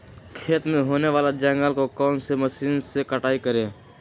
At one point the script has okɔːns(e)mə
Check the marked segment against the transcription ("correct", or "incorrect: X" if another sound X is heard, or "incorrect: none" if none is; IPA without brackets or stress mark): correct